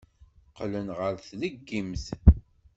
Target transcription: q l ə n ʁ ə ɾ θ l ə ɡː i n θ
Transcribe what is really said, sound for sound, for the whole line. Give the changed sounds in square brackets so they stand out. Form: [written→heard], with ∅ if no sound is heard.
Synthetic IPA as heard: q l ə n ʁ ə ɾ θ l ə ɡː i [n→m] θ